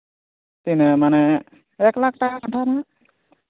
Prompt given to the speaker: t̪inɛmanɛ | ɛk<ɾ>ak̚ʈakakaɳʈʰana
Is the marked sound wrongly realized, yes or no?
yes